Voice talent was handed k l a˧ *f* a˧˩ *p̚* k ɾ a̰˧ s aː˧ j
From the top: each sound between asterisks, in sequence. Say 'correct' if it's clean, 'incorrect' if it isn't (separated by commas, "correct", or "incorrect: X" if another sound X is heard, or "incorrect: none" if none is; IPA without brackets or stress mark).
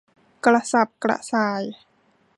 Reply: incorrect: s, correct